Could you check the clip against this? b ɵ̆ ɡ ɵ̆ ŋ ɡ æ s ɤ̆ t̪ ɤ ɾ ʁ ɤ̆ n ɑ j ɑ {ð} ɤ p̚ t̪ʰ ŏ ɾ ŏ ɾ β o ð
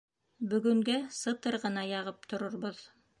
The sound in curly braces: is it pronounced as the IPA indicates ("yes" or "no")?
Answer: no